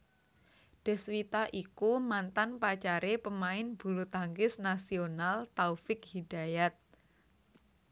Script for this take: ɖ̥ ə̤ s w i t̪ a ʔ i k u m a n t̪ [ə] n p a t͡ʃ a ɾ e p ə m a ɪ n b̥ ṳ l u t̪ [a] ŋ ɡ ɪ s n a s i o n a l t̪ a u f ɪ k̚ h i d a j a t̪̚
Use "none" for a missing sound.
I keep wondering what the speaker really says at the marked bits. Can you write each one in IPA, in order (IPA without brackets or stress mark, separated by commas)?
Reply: a, a